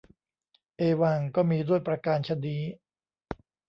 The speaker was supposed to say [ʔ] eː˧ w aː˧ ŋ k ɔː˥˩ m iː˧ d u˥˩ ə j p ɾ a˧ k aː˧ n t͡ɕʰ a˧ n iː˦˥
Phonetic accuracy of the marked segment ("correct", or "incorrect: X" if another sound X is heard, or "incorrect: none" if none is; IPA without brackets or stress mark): correct